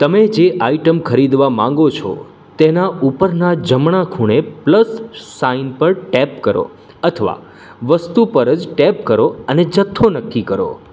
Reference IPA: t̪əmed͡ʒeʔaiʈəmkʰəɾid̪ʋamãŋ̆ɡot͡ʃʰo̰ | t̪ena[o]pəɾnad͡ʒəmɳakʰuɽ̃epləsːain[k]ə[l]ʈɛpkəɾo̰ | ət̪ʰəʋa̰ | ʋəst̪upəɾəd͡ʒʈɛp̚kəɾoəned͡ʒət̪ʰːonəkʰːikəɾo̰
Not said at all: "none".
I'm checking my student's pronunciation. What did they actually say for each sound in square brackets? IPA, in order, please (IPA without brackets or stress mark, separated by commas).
u, p, ɾ